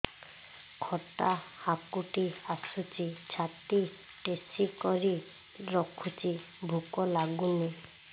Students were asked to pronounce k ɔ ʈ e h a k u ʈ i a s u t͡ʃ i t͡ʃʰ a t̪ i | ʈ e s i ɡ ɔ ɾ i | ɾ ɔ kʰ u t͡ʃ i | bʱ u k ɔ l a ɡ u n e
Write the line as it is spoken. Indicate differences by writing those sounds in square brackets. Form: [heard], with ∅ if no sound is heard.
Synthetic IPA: [kʰ] ɔ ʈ [a] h a k u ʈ i a s u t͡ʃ i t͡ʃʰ a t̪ i | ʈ e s i [k] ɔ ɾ i | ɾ ɔ kʰ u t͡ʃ i | bʱ u k ɔ l a ɡ u n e